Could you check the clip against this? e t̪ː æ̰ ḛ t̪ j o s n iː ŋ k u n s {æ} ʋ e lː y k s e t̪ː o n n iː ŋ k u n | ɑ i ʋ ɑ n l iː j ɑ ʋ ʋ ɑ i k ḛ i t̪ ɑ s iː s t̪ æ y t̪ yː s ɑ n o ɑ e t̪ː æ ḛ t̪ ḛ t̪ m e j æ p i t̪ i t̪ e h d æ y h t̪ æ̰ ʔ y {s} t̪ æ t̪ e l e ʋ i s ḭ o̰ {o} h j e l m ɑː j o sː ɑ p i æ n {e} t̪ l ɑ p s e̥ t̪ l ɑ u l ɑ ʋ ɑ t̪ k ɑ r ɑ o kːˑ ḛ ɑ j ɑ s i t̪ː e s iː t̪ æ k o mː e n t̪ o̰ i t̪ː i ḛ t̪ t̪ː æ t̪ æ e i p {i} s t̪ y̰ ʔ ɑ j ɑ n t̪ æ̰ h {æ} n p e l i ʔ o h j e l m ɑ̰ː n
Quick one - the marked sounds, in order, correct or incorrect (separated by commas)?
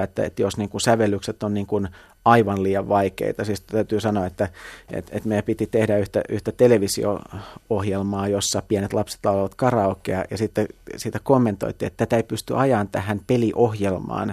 correct, incorrect, correct, correct, incorrect, correct